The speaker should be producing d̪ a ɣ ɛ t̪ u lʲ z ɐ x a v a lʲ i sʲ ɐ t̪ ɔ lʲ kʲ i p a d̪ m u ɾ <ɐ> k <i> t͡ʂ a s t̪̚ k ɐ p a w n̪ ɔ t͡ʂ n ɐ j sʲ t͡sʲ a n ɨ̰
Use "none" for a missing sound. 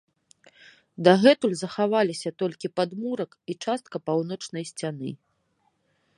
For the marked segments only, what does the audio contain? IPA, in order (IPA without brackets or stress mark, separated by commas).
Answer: ɐ, i